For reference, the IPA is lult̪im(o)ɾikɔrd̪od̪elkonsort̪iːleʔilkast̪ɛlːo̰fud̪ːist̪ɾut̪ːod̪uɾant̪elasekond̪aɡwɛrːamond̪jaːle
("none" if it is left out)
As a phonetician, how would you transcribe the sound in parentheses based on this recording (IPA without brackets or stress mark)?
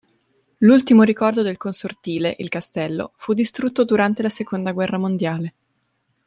o